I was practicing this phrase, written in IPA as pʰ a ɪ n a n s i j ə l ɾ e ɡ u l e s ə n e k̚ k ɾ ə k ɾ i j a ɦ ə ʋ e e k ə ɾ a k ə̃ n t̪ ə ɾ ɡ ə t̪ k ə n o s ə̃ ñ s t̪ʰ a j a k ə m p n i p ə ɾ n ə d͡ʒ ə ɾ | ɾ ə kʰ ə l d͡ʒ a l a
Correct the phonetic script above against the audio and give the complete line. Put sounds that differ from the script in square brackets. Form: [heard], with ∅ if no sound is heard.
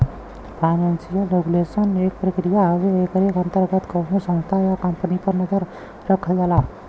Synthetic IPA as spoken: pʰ a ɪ n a n s i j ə l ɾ e ɡ u l e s ə n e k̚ [p] ɾ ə k ɾ i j a ɦ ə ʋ e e k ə ɾ [e] k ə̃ n t̪ ə ɾ ɡ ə t̪ k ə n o s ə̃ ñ s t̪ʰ a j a k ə m p n i p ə ɾ n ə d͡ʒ ə ɾ | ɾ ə kʰ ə l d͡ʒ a l a